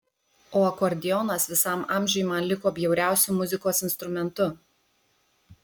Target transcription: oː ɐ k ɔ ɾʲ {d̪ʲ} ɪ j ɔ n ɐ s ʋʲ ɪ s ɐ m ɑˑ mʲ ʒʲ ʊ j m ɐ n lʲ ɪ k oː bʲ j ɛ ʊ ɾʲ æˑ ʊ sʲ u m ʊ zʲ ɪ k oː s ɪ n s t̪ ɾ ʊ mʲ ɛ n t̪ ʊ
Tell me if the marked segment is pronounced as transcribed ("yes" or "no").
yes